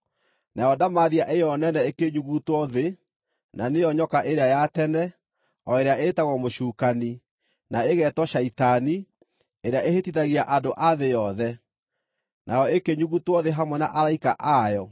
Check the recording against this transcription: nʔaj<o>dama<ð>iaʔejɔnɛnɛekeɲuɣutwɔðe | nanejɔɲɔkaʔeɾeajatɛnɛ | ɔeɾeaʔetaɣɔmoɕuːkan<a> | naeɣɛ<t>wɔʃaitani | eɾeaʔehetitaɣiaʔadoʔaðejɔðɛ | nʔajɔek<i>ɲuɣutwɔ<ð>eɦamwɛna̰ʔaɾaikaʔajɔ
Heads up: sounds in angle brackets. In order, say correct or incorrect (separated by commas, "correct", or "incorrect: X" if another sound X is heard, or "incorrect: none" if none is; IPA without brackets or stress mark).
incorrect: ɔ, correct, incorrect: i, correct, incorrect: e, correct